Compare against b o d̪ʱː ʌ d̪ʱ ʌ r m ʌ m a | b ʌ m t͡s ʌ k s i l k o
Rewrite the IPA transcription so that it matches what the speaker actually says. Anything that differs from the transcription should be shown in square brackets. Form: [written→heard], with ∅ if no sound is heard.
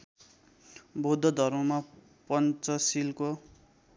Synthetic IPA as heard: b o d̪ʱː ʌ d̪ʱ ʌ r m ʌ m a | [b→p] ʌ [m→n] t͡s ʌ [k→∅] s i l k o

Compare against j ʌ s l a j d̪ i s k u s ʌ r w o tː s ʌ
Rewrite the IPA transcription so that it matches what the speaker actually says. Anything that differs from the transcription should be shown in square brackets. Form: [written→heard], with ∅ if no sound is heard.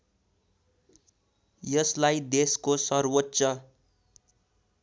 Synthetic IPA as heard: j ʌ s l a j d̪ [i→e] s k [u→o] s ʌ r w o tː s ʌ

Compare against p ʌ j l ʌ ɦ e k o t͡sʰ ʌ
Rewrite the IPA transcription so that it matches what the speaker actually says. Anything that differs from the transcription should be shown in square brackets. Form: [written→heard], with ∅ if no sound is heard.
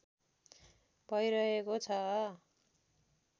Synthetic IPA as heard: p ʌ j [l→ɾ] ʌ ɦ e k o t͡sʰ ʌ

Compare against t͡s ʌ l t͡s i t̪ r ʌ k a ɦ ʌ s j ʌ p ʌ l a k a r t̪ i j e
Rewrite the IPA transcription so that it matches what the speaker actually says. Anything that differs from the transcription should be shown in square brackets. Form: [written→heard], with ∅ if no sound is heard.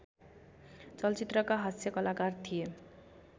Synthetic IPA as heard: t͡s ʌ l t͡s i t̪ r ʌ k a ɦ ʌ s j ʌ [p→k] ʌ l a k a r [t̪→t̪ʰ] i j e

